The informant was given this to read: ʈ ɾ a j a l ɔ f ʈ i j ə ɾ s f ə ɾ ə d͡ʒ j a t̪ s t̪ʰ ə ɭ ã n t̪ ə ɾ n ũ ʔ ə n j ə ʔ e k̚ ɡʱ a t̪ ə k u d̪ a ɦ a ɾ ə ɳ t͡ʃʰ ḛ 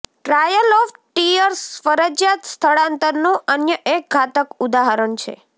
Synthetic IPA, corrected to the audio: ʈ ɾ a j ə l ɔ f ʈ i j ə ɾ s f ə ɾ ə d͡ʒ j a t̪ s t̪ʰ ə ɭ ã n t̪ ə ɾ n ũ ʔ ə n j ə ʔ e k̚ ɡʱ a t̪ ə k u d̪ a ɦ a ɾ ə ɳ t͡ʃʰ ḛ